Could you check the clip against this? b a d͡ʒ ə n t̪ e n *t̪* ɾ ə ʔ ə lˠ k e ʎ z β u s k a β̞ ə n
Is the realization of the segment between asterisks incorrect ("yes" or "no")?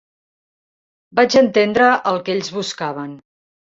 yes